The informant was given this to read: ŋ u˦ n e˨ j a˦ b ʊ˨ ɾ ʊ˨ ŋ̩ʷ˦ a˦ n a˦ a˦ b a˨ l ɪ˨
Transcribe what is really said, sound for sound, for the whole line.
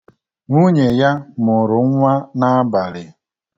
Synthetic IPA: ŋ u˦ ɲ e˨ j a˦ m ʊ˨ ɾ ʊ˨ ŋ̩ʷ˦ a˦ n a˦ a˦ b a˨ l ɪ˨